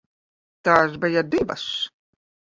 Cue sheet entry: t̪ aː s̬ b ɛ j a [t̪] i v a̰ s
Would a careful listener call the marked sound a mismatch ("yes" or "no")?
yes